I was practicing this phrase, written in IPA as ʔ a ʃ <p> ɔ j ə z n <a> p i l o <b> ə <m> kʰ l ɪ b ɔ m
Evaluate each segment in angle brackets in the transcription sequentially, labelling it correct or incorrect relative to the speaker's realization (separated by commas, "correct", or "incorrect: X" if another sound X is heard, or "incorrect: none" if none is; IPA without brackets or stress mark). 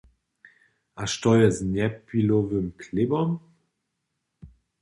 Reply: incorrect: t, incorrect: ɛ, incorrect: v, correct